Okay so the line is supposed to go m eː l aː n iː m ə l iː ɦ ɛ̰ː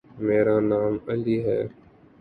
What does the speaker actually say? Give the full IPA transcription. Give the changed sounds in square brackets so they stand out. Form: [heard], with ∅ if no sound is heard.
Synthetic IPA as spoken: m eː [ɾ] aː n [aː] m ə l iː ɦ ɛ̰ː